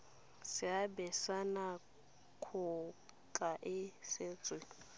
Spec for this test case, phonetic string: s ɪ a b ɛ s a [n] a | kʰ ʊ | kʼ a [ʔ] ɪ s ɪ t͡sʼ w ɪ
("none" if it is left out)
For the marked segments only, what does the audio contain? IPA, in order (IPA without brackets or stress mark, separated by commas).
n, ʔ